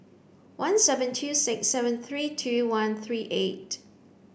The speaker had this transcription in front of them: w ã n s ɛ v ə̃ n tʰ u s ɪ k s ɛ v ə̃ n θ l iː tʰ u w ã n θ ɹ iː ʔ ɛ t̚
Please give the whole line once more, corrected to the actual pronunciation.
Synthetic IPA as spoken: w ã n s ɛ v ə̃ n tʰ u s ɪ k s ɛ v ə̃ n θ ɹ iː tʰ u w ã n θ ɹ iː ʔ e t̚